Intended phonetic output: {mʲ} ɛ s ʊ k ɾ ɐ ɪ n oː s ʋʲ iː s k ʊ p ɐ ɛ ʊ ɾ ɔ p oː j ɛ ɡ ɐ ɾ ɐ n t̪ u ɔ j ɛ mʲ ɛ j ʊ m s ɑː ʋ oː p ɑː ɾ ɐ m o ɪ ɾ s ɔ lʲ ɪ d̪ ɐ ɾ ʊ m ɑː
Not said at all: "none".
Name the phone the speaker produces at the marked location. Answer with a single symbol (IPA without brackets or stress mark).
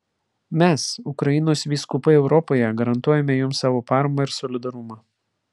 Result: mʲ